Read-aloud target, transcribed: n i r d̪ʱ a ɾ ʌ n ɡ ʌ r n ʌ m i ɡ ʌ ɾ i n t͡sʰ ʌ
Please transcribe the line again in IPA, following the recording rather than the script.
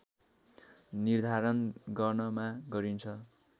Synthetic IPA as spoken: n i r d̪ʱ a ɾ ʌ n ɡ ʌ r n ʌ m a ɡ ʌ ɾ i n t͡sʰ ʌ